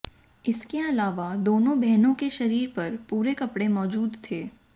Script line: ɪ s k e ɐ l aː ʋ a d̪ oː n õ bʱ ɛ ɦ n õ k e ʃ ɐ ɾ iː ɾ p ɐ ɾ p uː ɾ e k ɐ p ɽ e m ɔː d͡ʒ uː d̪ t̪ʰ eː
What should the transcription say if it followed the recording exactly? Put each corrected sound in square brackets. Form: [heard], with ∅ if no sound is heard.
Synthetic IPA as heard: ɪ s k e ɐ l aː ʋ a d̪ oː n õ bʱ ɛ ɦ n õ k e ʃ ɐ ɾ iː ɾ p ɐ ɾ p uː ɾ e k ɐ p ɽ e m ɔː d͡ʒ uː d̪ t̪ʰ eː